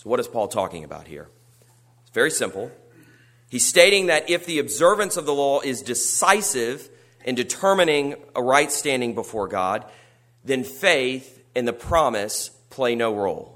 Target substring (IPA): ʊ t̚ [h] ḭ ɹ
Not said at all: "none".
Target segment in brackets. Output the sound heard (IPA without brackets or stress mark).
h